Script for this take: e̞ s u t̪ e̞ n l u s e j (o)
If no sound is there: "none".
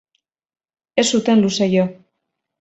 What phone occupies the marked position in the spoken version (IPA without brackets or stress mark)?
o